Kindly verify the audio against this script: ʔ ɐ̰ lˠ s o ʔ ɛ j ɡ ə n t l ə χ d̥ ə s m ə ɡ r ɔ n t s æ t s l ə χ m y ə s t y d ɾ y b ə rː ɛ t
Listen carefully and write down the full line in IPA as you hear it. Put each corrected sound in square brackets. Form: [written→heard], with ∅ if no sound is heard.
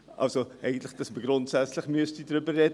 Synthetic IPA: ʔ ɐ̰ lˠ s o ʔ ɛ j ɡ ə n t l ə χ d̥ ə s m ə ɡ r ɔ n t s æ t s l ə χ m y ə s t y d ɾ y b ə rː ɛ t